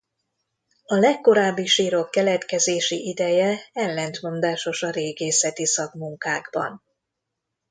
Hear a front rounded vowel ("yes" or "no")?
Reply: no